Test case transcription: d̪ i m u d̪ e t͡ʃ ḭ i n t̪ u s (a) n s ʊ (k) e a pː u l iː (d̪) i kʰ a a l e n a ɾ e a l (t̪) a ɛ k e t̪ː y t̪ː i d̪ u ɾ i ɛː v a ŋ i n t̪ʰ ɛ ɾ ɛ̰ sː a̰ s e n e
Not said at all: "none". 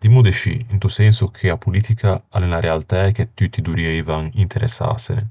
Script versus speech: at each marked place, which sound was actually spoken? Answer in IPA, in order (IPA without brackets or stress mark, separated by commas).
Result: ɛ, kʰ, t̪, t̪